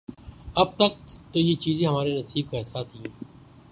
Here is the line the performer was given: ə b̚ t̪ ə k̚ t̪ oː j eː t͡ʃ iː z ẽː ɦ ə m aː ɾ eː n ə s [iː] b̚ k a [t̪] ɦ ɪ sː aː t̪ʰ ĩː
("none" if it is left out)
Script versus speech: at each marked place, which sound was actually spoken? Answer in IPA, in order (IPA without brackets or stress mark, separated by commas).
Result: iː, none